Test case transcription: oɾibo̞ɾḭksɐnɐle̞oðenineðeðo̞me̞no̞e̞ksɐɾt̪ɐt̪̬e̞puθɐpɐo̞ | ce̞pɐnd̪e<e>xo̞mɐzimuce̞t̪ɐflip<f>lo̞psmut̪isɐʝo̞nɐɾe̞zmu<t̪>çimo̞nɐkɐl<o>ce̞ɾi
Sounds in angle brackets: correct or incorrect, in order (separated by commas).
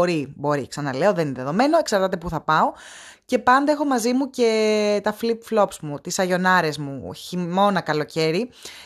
correct, correct, incorrect, correct